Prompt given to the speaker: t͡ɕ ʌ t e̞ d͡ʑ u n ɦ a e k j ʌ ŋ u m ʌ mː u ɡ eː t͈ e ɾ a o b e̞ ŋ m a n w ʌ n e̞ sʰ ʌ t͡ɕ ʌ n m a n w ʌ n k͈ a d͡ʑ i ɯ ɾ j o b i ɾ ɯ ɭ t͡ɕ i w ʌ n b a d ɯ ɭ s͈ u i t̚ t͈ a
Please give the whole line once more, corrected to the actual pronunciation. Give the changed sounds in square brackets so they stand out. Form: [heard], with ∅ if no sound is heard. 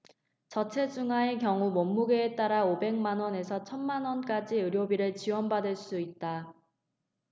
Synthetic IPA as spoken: t͡ɕ ʌ [t͡ɕʰ] e̞ d͡ʑ u [ŋ] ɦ a e k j ʌ ŋ u m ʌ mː u ɡ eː t͈ [a] ɾ a o b e̞ ŋ m a n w ʌ n e̞ sʰ ʌ [t͡ɕʰ] ʌ n m a n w ʌ n k͈ a d͡ʑ i ɯ ɾ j o b i ɾ ɯ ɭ t͡ɕ i w ʌ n b a d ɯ ɭ s͈ u i t̚ t͈ a

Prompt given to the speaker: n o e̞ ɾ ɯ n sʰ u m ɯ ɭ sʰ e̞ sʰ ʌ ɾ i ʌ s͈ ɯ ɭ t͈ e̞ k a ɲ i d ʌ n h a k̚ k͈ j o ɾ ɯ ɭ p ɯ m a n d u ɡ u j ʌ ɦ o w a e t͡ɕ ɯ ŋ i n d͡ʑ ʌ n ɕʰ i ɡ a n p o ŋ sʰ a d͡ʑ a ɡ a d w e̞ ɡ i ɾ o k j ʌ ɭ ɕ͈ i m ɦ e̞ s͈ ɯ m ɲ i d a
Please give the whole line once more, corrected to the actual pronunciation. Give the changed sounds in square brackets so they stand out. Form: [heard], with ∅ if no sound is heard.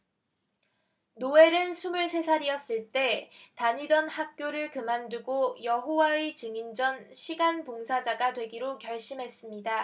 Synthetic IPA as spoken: n o e̞ ɾ ɯ n sʰ u m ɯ ɭ sʰ e̞ sʰ [a] ɾ i ʌ s͈ ɯ ɭ t͈ e̞ [t] a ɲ i d ʌ n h a k̚ k͈ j o ɾ ɯ ɭ [k] ɯ m a n d u ɡ [o] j ʌ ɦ o w a e t͡ɕ ɯ ŋ i n d͡ʑ ʌ n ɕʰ i ɡ a n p o ŋ sʰ a d͡ʑ a ɡ a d w e̞ ɡ i ɾ o k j ʌ ɭ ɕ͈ i m ɦ e̞ s͈ ɯ m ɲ i d a

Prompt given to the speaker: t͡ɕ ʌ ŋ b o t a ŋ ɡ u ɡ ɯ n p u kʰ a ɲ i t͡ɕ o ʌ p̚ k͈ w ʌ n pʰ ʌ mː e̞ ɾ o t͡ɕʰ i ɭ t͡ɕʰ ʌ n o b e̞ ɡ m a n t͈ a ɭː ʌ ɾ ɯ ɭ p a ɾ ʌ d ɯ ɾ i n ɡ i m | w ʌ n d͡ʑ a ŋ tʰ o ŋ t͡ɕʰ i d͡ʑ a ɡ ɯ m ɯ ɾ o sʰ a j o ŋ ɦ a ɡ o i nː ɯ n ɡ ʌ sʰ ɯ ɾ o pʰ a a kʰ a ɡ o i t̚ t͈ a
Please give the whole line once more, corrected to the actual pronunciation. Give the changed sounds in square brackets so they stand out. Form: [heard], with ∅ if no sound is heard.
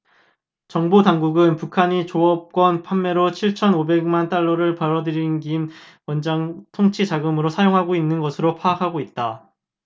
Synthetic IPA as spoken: t͡ɕ ʌ ŋ b o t a ŋ ɡ u ɡ ɯ n p u kʰ a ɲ i t͡ɕ o ʌ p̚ k͈ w ʌ n pʰ [a] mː e̞ ɾ o t͡ɕʰ i ɭ t͡ɕʰ ʌ n o b e̞ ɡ m a n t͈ a ɭː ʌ ɾ ɯ ɭ p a ɾ ʌ d ɯ ɾ i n ɡ i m | w ʌ n d͡ʑ a ŋ tʰ o ŋ t͡ɕʰ i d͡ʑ a ɡ ɯ m ɯ ɾ o sʰ a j o ŋ ɦ a ɡ o i nː ɯ n ɡ ʌ sʰ ɯ ɾ o pʰ a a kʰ a ɡ o i t̚ t͈ a

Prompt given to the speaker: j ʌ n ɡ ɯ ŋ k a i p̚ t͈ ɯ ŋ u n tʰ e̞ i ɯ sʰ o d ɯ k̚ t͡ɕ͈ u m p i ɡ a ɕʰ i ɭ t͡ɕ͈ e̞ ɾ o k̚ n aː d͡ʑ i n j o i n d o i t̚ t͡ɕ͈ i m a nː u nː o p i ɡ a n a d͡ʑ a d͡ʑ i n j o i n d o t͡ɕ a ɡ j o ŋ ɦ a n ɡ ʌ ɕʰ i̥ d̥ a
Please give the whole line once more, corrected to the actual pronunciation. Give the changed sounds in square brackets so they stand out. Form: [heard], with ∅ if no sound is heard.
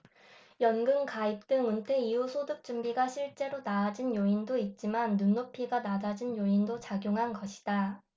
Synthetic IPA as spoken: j ʌ n ɡ ɯ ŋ k a i p̚ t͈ ɯ ŋ u n tʰ e̞ i [u] sʰ o d ɯ k̚ t͡ɕ͈ u m [b] i ɡ a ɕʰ i ɭ t͡ɕ͈ e̞ ɾ o [∅] n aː d͡ʑ i n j o i n d o i t̚ t͡ɕ͈ i m a nː u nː o [pʰ] i ɡ a n a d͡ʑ a d͡ʑ i n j o i n d o t͡ɕ a ɡ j o ŋ ɦ a n ɡ ʌ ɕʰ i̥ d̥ a

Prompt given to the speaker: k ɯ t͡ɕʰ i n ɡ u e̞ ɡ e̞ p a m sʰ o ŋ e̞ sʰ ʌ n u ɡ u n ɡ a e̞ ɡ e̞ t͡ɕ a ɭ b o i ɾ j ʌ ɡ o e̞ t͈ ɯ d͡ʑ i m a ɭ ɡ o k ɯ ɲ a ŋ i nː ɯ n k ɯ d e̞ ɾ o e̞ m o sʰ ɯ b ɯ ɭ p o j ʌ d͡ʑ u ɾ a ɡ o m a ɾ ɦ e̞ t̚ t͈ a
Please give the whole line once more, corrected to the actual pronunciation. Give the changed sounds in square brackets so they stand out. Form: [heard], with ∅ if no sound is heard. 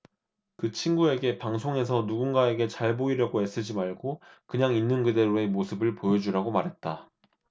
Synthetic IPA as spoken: k ɯ t͡ɕʰ i n ɡ u e̞ ɡ e̞ p a [ŋ] sʰ o ŋ e̞ sʰ ʌ n u ɡ u n ɡ a e̞ ɡ e̞ t͡ɕ a ɭ b o i ɾ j ʌ ɡ o e̞ [s͈] ɯ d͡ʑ i m a ɭ ɡ o k ɯ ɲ a ŋ i nː ɯ n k ɯ d e̞ ɾ o e̞ m o sʰ ɯ b ɯ ɭ p o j ʌ d͡ʑ u ɾ a ɡ o m a ɾ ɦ e̞ t̚ t͈ a

